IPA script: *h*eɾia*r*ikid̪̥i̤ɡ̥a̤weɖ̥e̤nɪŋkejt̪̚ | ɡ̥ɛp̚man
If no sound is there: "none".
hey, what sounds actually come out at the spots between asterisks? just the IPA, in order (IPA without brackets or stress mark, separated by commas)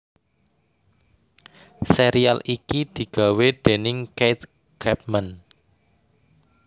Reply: s, l